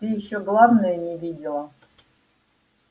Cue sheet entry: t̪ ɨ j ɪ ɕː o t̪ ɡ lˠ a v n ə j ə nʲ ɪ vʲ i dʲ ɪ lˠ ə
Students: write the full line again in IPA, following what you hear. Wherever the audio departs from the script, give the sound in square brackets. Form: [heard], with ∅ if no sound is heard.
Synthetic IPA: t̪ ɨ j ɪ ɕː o [∅] ɡ lˠ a v n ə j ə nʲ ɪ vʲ i dʲ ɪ lˠ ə

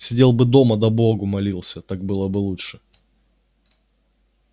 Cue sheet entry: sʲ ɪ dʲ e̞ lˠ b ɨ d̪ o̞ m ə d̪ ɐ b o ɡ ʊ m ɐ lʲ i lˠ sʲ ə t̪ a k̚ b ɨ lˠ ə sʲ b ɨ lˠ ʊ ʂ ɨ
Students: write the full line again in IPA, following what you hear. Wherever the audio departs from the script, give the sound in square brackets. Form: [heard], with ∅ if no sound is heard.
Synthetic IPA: sʲ ɪ dʲ e̞ lˠ b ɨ d̪ o̞ m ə d̪ ɐ b o ɡ ʊ m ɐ lʲ i lˠ sʲ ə t̪ a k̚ b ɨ lˠ ə [∅] b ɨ lˠ [u] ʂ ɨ

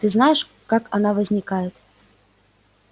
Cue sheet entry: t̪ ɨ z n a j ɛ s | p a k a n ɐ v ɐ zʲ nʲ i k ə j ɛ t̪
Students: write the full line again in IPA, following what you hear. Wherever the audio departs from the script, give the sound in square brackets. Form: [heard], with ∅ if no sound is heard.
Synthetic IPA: t̪ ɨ z n a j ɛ [ʂ] | [k] a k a n [a] v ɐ zʲ nʲ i k [a] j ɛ t̪

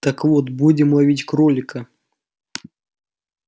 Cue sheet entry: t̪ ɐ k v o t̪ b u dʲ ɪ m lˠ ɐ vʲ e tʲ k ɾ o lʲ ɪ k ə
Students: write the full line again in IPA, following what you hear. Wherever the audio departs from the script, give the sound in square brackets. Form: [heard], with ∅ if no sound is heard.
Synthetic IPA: t̪ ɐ k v o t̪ b u dʲ ɪ m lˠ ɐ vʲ [i] tʲ k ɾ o lʲ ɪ k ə

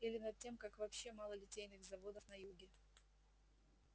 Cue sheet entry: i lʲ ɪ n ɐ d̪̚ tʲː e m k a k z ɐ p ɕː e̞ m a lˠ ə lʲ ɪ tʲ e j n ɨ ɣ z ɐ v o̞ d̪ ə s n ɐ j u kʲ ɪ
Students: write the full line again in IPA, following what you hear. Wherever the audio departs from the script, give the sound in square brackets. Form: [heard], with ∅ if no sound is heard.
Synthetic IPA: i lʲ ɪ n ɐ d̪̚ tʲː e m k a k [v] ɐ p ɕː e̞ m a lˠ ə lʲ ɪ tʲ e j n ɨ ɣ z ɐ v o̞ d̪ ə [f] n ɐ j u [ɡʲ] ɪ

